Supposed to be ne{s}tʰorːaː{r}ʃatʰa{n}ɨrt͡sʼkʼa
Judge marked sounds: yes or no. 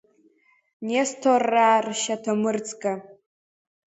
yes, yes, no

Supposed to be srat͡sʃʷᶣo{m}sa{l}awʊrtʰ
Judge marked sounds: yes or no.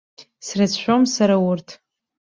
yes, no

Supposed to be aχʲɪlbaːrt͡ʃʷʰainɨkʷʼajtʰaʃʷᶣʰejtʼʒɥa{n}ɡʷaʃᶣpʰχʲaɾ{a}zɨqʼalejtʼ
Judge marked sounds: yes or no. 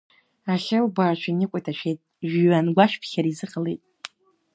yes, no

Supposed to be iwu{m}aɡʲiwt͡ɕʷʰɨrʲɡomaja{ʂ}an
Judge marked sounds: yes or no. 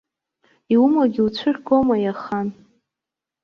yes, no

